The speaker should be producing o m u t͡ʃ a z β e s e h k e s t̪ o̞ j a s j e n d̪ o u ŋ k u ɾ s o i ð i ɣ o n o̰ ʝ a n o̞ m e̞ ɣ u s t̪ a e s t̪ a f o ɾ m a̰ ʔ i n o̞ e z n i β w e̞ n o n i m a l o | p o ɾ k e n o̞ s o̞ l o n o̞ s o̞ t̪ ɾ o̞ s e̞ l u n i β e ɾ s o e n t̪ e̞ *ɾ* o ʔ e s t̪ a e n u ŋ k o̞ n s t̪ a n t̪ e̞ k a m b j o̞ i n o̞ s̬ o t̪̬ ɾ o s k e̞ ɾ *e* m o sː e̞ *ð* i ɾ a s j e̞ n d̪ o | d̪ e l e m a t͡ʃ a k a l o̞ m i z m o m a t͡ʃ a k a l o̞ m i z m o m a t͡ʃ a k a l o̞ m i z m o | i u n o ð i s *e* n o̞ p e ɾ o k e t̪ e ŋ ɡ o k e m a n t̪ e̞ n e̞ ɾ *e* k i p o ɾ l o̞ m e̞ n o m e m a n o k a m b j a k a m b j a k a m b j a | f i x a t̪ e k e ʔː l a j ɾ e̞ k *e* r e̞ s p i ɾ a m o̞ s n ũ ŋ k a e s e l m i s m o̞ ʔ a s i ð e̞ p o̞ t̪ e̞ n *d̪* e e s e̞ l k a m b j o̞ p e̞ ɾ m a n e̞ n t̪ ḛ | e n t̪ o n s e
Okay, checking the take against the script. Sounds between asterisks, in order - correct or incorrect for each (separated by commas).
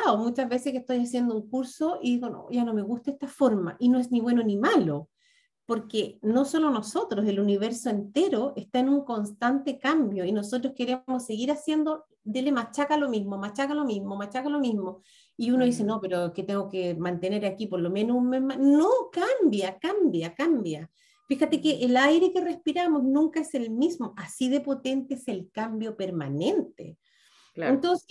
correct, correct, incorrect, correct, incorrect, correct, incorrect